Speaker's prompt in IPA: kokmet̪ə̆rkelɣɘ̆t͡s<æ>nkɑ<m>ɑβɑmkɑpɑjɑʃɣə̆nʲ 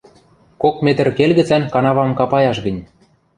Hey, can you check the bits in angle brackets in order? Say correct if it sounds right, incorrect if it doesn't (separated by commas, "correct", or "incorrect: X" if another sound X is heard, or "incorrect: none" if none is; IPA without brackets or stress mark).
correct, incorrect: n